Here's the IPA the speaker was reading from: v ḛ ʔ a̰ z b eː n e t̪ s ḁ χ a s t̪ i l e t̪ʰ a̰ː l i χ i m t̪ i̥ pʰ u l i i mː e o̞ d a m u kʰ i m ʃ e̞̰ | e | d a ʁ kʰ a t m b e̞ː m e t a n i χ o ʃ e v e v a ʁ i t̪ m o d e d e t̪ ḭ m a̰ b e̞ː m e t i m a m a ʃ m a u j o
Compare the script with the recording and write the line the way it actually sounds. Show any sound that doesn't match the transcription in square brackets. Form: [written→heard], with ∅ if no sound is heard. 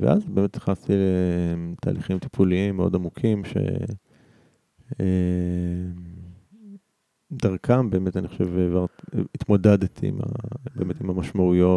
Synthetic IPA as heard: v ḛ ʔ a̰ z b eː [n→m] e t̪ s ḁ χ a s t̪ i l e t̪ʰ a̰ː l i χ i m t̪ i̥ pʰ u l i i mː e o̞ d a m u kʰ i m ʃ e̞̰ | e | d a ʁ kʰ a [t→∅] m b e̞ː m e t a n i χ o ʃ e v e v a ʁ i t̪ m o d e d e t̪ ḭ m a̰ b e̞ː m e t i m a m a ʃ m a u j o